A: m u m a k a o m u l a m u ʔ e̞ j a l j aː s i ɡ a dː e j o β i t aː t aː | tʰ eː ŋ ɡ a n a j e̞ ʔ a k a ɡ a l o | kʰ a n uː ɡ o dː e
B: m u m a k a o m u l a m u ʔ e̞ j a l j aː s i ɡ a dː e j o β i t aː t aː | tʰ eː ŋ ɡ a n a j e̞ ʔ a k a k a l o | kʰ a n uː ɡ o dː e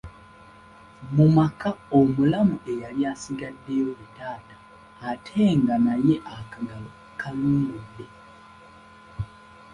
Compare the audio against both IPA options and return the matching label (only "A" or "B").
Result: A